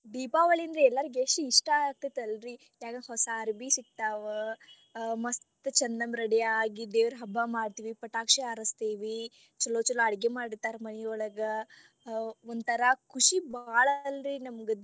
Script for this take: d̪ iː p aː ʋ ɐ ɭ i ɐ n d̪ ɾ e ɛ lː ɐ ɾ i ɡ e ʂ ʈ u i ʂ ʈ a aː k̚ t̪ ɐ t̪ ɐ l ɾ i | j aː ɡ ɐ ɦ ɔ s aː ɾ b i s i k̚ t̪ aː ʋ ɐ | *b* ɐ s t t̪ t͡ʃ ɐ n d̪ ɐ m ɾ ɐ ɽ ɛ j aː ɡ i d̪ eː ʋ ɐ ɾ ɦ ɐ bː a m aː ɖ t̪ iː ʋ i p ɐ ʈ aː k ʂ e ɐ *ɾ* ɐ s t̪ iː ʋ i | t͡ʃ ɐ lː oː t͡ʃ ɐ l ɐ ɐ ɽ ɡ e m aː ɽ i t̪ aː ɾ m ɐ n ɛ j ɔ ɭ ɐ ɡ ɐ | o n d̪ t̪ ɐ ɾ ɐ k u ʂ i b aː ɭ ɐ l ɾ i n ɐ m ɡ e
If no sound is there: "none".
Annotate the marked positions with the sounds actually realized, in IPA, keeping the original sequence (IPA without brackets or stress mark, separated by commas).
m, ɾ